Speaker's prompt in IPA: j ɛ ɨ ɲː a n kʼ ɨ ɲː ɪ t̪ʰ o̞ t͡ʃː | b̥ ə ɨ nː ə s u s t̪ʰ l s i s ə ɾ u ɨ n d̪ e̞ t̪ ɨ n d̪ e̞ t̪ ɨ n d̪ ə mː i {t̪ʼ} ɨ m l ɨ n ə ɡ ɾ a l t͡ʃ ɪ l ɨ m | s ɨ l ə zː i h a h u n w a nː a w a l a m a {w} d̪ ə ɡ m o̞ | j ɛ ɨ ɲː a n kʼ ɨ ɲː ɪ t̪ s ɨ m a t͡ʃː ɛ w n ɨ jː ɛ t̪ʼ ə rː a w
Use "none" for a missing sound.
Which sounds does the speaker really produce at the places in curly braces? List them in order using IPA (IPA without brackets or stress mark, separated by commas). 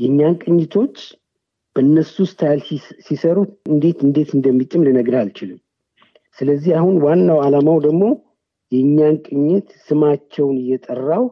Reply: t̪ʼ, w